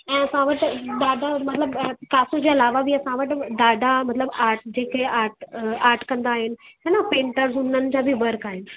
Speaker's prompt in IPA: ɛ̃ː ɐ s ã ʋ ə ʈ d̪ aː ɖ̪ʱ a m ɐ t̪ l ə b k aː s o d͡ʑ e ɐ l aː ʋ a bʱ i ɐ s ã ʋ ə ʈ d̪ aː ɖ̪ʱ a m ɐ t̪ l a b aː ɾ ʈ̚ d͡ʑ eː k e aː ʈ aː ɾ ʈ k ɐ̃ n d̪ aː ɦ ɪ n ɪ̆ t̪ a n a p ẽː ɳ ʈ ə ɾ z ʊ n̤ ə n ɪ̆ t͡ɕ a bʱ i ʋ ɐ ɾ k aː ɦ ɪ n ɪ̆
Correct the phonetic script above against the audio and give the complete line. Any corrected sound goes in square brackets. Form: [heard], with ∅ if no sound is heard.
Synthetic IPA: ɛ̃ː ɐ s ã ʋ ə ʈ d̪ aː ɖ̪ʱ a m ɐ t̪ l ə b k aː s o d͡ʑ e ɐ l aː ʋ a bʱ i ɐ s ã ʋ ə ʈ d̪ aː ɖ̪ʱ a m ɐ t̪ l [ə] b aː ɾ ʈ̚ d͡ʑ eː k e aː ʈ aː ɾ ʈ k ɐ̃ n d̪ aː ɦ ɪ n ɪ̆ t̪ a n a p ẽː ɳ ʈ ə ɾ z ʊ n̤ ə n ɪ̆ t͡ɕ a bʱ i ʋ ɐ ɾ k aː ɦ ɪ n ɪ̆